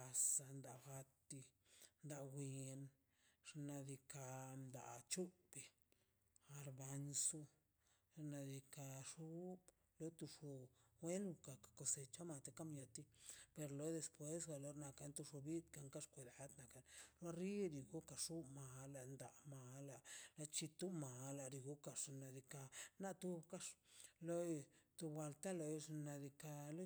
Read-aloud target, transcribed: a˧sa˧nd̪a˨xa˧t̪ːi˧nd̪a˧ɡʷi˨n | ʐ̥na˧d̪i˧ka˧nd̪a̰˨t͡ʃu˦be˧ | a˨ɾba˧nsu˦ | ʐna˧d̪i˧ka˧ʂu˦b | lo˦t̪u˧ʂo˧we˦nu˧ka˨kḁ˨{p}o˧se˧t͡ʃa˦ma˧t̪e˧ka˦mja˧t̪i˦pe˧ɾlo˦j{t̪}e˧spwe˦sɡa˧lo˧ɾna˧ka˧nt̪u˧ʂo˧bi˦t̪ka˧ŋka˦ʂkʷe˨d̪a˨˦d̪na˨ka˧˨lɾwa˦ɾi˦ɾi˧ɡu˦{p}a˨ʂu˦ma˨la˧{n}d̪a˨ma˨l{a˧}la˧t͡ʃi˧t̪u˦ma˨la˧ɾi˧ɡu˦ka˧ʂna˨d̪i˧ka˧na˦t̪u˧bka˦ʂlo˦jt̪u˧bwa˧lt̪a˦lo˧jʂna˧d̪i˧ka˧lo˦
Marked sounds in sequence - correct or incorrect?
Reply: incorrect, incorrect, incorrect, correct, correct

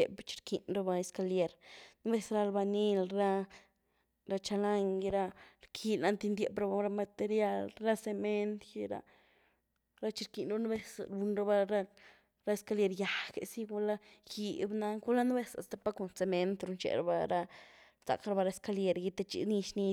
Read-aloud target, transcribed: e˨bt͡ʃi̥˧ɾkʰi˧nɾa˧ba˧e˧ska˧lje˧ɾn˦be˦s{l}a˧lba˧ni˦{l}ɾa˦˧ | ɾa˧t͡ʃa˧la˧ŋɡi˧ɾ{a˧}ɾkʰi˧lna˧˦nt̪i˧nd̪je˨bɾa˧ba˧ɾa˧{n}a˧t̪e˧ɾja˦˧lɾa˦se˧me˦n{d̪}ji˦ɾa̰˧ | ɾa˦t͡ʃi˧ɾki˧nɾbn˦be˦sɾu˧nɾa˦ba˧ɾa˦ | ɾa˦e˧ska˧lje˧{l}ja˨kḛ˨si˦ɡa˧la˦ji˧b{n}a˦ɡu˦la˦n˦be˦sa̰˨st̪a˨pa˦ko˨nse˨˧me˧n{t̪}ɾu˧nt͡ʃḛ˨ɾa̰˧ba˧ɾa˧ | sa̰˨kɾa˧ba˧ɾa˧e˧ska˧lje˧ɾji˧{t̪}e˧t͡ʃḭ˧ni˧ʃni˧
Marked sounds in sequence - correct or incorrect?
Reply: incorrect, correct, correct, incorrect, incorrect, incorrect, correct, correct, correct

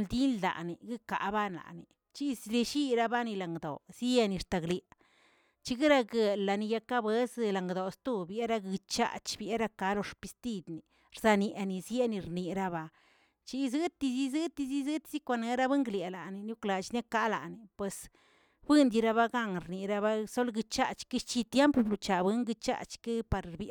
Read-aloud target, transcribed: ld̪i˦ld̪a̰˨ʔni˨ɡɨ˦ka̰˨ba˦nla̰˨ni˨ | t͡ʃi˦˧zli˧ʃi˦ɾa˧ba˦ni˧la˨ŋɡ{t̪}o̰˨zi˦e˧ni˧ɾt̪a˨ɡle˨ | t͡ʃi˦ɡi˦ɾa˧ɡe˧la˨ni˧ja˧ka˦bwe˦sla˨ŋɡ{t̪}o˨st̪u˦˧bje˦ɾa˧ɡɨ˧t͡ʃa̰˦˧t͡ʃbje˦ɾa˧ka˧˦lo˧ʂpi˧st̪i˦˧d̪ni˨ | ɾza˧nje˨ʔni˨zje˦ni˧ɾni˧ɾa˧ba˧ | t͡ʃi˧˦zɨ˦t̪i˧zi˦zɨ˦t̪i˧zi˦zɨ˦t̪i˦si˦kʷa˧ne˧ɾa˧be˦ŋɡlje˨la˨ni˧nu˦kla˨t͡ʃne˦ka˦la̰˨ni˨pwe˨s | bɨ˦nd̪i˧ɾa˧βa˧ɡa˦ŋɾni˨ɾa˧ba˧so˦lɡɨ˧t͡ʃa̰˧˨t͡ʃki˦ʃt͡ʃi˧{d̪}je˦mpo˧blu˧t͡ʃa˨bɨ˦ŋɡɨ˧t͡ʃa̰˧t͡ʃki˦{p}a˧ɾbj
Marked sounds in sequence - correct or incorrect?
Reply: incorrect, incorrect, incorrect, correct

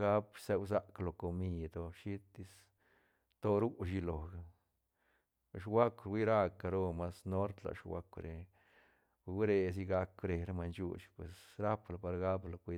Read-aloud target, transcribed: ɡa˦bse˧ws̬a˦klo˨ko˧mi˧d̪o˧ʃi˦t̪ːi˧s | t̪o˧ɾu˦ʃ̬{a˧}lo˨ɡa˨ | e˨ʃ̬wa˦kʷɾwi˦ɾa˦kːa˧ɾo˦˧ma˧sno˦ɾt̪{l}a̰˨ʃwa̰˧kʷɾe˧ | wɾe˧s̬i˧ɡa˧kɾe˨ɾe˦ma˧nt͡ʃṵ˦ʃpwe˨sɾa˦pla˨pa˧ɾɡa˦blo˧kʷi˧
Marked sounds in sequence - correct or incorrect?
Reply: incorrect, correct

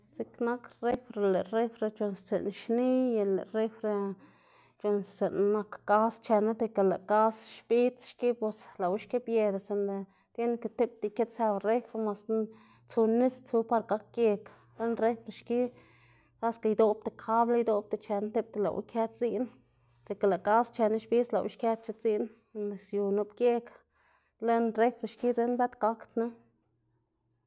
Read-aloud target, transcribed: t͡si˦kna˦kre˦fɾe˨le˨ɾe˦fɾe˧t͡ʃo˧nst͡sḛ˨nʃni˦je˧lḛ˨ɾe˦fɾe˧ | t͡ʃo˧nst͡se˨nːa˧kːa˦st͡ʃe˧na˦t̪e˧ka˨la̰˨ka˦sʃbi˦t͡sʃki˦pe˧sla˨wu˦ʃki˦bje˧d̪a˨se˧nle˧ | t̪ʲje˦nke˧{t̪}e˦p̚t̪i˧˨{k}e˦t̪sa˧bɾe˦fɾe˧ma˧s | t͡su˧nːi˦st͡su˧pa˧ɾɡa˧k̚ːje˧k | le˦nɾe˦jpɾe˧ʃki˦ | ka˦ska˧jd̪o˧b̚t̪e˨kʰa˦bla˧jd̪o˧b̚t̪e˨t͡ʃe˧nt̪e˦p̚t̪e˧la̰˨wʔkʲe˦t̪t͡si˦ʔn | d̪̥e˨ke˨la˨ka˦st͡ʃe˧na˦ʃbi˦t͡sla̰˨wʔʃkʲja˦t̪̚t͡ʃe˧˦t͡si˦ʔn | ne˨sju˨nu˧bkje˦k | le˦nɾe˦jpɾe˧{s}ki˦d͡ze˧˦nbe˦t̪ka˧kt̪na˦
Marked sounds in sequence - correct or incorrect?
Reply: correct, correct, incorrect

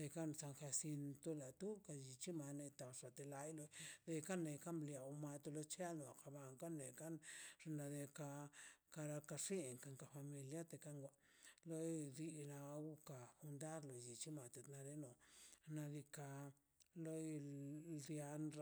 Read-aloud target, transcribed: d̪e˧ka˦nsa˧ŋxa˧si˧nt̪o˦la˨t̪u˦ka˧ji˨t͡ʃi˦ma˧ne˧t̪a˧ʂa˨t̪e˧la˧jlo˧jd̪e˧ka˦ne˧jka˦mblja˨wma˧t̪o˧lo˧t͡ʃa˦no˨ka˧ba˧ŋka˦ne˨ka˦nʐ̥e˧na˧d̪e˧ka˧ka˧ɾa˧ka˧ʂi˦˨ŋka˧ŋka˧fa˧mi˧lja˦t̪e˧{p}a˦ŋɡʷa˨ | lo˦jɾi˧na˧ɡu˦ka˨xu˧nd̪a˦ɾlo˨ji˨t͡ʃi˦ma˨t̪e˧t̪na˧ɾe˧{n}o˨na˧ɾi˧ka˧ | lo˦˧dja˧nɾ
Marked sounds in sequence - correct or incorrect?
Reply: incorrect, correct

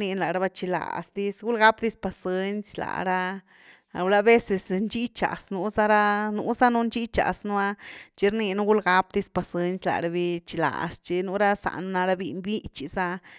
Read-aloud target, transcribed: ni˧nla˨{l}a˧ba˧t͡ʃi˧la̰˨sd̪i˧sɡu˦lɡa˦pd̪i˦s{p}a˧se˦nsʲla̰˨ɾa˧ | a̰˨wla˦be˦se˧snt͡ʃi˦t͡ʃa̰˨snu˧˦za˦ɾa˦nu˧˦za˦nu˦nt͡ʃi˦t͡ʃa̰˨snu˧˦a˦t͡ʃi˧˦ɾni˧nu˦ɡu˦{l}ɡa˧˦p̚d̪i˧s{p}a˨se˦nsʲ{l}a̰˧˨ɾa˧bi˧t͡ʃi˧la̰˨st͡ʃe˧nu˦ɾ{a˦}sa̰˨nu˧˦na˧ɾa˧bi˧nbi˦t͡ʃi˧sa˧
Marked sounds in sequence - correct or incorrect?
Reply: incorrect, correct, correct, correct, correct, correct

